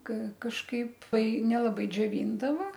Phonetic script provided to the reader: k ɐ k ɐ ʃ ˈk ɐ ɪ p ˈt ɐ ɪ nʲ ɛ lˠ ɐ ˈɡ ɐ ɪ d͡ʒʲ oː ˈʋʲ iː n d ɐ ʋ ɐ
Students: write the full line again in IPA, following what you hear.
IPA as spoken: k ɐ k ɐ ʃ ˈk ɐ ɪ p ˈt ɐ ɪ nʲ ɛ lˠ ɐ ˈb ɐ ɪ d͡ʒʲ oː ˈʋʲ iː n d ɐ ʋ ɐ